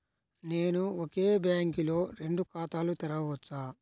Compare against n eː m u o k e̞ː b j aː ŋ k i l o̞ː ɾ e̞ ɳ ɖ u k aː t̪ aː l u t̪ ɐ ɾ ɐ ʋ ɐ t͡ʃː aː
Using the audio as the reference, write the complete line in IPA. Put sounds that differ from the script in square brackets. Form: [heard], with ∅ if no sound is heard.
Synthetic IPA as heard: n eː [n] u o k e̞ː b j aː ŋ k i l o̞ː ɾ e̞ ɳ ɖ u k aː t̪ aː l u t̪ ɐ ɾ ɐ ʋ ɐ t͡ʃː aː